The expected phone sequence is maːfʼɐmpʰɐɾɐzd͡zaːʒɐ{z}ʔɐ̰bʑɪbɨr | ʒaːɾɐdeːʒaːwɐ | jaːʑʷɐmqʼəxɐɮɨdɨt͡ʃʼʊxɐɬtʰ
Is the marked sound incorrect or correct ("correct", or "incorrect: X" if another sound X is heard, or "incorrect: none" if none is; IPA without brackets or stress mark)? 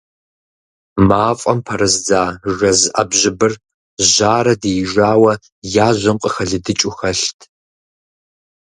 correct